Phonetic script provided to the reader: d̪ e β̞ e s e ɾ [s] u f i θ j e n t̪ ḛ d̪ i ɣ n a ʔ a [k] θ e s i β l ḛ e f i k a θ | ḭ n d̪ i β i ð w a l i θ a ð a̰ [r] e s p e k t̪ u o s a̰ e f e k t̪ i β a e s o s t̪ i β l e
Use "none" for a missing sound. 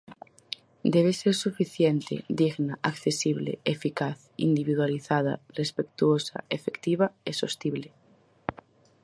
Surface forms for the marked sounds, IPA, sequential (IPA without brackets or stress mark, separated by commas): s, k, r